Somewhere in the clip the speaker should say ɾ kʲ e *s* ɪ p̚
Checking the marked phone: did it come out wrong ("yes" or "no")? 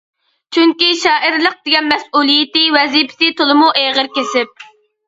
no